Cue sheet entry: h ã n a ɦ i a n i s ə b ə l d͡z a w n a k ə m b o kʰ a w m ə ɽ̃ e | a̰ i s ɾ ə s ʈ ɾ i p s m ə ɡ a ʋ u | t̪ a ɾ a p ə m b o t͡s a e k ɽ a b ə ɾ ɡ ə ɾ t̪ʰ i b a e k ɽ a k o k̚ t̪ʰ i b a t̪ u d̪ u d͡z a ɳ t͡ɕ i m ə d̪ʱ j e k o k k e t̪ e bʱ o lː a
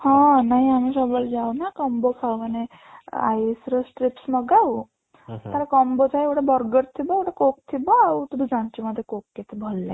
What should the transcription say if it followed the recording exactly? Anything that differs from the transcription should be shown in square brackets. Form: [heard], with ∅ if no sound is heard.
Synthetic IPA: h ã n a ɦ i a [m] i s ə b ə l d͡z a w n a k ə m b o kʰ a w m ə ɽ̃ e | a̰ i s ɾ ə s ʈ ɾ i p s m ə ɡ a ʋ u | t̪ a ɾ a [k] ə m b o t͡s a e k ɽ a b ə ɾ ɡ ə ɾ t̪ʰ i b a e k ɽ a k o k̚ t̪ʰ i b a t̪ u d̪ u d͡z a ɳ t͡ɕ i m ə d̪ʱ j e k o k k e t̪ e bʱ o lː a

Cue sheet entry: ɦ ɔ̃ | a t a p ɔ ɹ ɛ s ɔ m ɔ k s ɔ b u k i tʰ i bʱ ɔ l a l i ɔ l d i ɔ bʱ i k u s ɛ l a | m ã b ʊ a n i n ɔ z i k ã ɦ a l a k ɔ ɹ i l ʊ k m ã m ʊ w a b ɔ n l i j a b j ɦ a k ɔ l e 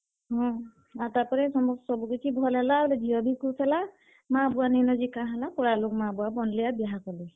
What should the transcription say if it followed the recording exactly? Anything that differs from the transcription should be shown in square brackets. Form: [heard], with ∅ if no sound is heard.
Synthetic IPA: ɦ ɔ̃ | a t a p ɔ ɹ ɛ s ɔ m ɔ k s ɔ b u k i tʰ i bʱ ɔ l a l [a] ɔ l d i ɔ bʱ i k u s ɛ l a | m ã b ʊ a n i n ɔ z i k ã ɦ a l a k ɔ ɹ [a] l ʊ k m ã [b] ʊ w a b ɔ n l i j a b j ɦ a k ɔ l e

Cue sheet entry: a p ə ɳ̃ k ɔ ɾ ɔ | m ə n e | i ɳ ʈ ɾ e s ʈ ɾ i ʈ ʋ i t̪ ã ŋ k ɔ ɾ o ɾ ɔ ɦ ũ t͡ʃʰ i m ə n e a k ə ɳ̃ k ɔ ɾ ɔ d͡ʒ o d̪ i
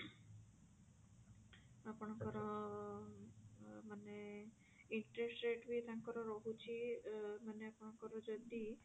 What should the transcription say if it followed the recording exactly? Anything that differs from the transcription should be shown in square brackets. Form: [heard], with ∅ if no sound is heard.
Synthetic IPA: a p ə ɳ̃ k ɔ ɾ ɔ | m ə n e | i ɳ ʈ ɾ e s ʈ ɾ [e] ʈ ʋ i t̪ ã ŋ k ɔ ɾ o ɾ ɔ ɦ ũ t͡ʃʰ i m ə n e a [p] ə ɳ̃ k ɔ ɾ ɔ d͡ʒ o d̪ i

